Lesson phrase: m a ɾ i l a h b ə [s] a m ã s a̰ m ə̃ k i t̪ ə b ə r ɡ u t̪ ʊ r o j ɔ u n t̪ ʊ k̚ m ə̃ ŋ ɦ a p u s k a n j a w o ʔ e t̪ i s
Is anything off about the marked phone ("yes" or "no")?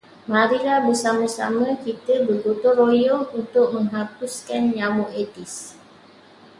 no